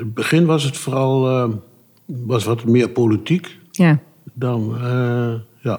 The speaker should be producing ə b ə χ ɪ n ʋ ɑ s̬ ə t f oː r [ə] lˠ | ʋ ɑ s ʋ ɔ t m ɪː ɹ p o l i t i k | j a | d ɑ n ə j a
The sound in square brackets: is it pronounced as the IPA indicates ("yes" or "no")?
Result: no